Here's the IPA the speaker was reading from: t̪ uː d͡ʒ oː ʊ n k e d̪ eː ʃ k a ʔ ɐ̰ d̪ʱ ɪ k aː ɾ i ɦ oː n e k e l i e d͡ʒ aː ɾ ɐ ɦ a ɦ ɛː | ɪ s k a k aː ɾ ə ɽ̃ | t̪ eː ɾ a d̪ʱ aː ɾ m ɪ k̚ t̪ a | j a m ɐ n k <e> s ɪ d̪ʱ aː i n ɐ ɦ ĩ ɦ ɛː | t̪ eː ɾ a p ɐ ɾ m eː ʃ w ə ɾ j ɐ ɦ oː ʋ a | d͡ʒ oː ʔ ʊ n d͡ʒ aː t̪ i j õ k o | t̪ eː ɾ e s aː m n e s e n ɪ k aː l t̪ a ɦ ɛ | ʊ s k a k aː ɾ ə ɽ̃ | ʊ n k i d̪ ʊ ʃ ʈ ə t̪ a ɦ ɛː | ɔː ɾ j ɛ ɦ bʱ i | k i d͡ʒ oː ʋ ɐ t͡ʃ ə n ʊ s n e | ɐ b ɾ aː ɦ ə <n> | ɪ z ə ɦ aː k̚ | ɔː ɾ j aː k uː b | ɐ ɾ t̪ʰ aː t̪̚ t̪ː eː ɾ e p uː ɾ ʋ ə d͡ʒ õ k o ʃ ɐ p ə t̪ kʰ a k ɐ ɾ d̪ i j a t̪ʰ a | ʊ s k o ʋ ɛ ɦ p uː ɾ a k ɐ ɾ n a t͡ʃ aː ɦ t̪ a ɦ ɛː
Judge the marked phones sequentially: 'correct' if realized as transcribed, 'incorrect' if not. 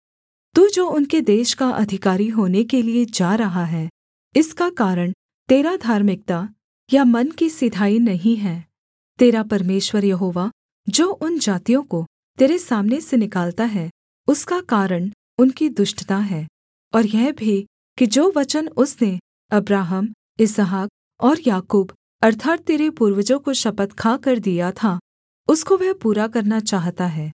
incorrect, incorrect

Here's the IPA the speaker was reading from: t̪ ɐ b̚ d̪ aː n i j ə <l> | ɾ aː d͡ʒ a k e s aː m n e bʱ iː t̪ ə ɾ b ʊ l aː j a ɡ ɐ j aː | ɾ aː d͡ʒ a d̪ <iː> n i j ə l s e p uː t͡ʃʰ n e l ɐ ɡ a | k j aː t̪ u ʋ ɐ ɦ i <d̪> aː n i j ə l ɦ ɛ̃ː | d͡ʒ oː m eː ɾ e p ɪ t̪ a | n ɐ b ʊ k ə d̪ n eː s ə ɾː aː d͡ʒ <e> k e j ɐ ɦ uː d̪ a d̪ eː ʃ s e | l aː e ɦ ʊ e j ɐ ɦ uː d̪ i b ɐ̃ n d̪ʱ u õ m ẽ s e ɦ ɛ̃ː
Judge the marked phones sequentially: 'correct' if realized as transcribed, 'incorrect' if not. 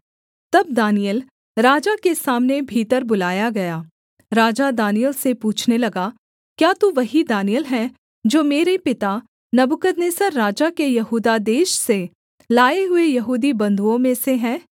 correct, incorrect, correct, incorrect

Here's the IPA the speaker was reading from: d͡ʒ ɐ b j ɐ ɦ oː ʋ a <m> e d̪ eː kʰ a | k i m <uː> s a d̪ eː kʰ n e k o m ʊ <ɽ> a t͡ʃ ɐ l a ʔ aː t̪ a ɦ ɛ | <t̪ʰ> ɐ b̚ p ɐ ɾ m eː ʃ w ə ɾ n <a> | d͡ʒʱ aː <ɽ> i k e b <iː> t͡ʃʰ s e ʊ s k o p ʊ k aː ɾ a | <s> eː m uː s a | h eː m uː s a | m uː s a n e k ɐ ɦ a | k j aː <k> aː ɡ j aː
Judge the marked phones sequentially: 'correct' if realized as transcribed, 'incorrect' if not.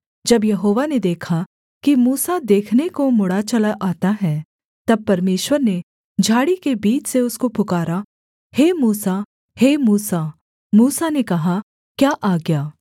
incorrect, correct, correct, incorrect, incorrect, correct, correct, incorrect, incorrect

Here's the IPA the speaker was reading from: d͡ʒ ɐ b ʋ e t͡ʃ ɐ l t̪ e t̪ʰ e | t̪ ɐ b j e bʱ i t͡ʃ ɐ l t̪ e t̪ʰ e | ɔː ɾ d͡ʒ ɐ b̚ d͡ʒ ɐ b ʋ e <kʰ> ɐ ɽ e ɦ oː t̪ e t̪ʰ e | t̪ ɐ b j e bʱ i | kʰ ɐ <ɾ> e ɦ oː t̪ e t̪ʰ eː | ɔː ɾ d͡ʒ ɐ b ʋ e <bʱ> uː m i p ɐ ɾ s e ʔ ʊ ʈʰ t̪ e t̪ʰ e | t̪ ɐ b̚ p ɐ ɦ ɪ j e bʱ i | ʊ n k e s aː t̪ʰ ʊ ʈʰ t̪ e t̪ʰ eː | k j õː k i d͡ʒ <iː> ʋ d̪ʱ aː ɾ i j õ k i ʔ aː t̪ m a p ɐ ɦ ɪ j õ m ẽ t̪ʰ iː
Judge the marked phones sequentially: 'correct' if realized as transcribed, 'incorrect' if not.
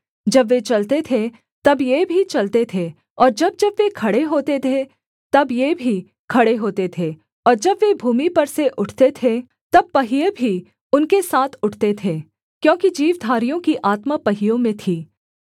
correct, incorrect, correct, correct

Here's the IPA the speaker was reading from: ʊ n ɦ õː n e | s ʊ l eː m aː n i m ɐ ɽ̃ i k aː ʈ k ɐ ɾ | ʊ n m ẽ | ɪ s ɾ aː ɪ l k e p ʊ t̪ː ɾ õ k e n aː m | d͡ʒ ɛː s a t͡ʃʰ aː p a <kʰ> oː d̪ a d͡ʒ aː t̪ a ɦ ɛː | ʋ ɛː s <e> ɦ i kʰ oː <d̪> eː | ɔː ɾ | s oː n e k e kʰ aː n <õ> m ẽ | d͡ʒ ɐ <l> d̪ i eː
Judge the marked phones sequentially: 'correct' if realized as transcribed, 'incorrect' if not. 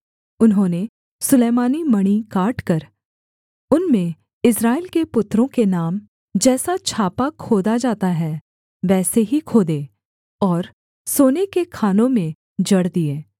correct, correct, correct, correct, incorrect

